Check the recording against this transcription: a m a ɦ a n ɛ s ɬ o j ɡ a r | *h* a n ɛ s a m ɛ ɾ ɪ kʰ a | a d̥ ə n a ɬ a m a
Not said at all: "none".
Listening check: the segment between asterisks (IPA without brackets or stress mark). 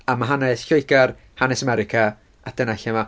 h